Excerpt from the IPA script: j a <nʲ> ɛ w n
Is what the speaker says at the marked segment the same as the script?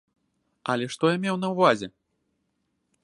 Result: no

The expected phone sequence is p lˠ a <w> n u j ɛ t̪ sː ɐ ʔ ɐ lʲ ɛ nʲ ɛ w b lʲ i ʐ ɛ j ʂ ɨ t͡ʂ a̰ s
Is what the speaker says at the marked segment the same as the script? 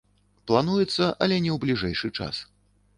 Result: no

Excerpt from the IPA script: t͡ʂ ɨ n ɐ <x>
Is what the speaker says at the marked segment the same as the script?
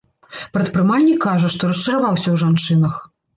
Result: yes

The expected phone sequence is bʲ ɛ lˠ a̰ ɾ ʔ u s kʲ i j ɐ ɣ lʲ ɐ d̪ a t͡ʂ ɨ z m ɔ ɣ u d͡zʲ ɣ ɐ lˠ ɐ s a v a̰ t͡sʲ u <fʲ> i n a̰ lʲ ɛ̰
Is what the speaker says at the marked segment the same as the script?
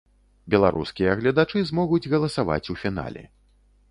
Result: yes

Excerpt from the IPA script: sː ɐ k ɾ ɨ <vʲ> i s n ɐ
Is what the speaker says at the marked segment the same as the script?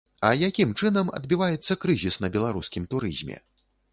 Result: no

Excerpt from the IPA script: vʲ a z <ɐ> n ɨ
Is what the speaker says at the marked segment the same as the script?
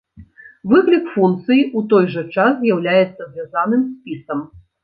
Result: no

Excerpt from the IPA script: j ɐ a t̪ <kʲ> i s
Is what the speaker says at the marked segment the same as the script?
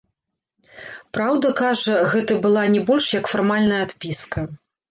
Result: no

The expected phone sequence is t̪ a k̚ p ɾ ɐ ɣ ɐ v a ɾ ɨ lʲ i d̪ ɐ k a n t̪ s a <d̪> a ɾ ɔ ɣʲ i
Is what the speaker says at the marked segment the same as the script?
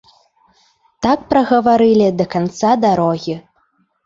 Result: yes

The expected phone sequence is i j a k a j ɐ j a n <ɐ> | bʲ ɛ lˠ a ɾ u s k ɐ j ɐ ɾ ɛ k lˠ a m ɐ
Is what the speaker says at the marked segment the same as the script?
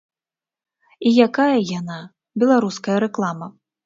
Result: no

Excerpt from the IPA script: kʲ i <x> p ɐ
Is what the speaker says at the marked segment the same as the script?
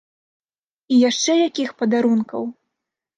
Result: yes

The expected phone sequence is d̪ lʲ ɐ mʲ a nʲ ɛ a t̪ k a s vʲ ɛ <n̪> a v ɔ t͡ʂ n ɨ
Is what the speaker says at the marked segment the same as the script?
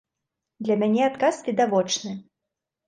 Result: no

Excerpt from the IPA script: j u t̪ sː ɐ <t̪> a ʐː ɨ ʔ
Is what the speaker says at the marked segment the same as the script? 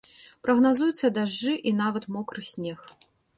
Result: no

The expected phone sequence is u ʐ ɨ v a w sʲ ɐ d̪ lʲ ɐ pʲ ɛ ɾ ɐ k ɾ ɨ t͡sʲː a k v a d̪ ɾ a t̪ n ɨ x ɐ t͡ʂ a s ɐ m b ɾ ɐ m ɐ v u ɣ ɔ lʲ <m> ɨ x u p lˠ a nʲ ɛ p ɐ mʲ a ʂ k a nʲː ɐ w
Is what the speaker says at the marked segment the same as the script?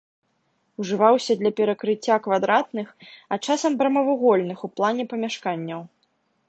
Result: no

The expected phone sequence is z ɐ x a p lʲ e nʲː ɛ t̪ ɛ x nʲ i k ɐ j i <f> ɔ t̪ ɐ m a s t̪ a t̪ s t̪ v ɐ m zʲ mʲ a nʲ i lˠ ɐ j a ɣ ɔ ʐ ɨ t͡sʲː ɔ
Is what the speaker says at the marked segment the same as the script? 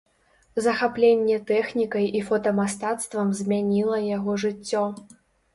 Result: yes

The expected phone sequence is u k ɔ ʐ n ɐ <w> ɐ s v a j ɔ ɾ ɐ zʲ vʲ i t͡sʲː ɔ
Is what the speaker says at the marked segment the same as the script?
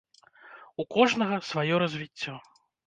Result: no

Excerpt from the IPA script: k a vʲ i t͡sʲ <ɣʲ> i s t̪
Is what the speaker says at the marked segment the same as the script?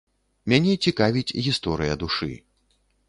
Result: yes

